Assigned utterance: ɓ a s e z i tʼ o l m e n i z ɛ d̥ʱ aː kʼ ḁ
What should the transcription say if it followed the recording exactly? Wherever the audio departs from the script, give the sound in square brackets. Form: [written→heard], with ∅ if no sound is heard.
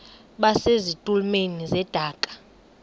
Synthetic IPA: ɓ a s e z i tʼ [o→u] l m e n i z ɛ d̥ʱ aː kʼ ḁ